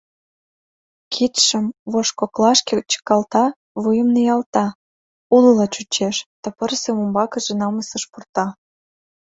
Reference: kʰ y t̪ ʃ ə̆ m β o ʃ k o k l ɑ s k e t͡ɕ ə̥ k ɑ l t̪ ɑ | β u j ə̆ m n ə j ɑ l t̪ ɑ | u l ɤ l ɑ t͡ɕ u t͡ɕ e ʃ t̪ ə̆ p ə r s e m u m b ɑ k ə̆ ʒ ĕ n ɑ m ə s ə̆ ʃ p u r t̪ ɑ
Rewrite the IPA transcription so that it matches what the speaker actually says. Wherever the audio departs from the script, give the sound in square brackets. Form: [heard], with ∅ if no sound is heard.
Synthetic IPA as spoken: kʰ [i] t̪ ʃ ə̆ m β o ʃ k o k l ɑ [ʃ] k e t͡ɕ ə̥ k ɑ l t̪ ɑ | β u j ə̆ m n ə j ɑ l t̪ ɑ | u l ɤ l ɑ t͡ɕ u t͡ɕ e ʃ t̪ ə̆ p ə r s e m u m b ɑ k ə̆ ʒ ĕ n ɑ m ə s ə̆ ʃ p u r t̪ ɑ